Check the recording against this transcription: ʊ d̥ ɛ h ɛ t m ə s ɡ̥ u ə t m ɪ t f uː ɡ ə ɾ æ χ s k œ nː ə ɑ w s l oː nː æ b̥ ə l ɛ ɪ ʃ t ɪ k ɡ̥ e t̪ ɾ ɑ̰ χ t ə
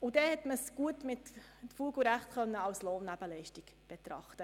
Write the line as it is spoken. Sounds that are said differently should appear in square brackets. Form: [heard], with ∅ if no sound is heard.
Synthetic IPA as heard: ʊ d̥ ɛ h ɛ t m ə s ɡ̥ u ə t m ɪ t f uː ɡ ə ɾ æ χ [t] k œ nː ə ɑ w s l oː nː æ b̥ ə l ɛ ɪ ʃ t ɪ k [b̥] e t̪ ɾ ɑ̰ χ t ə